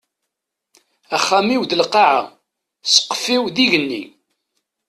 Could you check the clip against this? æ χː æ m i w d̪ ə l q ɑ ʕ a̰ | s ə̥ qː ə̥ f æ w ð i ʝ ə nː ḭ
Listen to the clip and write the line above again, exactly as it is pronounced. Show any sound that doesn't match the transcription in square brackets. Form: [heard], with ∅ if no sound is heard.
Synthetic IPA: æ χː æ m i w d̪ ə l q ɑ ʕ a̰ | s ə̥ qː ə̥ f [i] w ð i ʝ ə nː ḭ